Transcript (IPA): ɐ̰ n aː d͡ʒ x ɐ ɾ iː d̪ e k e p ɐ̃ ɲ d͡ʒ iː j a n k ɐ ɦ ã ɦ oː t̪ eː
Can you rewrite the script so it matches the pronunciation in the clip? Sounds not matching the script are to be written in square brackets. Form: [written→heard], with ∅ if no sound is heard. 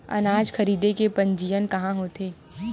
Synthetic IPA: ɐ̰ n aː d͡ʒ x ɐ ɾ iː d̪ e k e p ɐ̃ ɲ d͡ʒ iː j [a→ə] n k ɐ ɦ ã ɦ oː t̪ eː